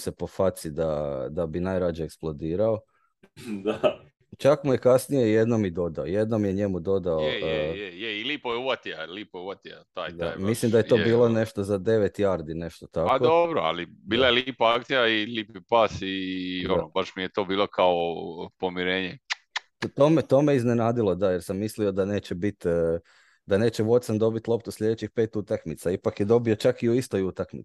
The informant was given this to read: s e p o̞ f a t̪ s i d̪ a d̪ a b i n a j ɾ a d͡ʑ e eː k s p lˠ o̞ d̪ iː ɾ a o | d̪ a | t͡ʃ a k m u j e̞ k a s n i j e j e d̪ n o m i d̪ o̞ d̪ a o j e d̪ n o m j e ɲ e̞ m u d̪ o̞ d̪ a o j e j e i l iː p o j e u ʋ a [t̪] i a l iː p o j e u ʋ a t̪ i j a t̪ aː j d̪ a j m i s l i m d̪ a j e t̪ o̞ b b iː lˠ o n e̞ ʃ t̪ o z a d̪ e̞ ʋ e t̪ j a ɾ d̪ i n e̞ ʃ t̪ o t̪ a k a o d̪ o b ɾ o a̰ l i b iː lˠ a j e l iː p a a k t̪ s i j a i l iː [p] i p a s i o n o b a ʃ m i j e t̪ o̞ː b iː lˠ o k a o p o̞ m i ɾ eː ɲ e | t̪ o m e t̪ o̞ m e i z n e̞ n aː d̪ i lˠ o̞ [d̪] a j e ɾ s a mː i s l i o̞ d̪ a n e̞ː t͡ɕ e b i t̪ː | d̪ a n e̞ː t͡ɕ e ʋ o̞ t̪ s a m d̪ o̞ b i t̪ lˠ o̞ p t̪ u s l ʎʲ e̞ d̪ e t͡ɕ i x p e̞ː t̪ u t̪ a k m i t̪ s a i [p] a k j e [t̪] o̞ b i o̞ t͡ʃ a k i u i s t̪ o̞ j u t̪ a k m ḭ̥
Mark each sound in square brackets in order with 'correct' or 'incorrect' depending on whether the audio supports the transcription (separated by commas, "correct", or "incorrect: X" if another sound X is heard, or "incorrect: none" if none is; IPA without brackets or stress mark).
correct, correct, correct, correct, incorrect: d̪